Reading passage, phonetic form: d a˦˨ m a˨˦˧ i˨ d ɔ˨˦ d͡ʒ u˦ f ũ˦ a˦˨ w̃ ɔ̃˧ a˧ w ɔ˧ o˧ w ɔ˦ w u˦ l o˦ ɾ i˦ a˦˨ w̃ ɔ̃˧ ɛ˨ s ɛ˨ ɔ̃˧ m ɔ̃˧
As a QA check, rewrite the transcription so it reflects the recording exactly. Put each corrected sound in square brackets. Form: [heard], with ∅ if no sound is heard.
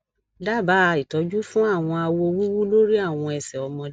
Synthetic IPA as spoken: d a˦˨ [b] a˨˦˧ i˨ [t] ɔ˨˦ d͡ʒ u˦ f ũ˦ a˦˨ w̃ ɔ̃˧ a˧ w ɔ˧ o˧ w [u˦] w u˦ l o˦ ɾ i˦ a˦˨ w̃ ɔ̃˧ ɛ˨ s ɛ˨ [ɔ˧] m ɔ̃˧